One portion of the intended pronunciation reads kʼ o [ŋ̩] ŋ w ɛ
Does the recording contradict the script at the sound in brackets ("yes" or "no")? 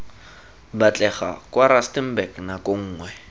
yes